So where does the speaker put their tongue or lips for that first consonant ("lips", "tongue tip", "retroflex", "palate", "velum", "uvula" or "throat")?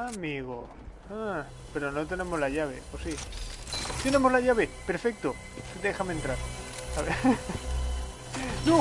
lips